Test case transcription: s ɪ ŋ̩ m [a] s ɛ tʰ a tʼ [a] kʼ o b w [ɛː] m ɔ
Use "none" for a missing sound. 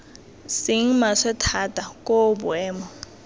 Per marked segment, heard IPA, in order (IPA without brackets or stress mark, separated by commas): a, a, ɛː